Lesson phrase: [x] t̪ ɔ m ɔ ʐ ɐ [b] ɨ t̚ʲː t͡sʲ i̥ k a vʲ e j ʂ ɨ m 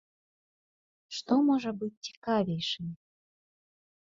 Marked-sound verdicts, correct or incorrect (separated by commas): incorrect, correct